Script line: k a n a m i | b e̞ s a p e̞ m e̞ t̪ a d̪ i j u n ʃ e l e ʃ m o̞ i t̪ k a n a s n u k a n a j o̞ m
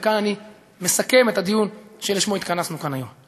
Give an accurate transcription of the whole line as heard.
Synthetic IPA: k a n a n i | m e̞ s a k e̞ m e̞ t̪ a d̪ i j u n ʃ e l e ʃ m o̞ i t̪ k a n a s n u k a n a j o̞ m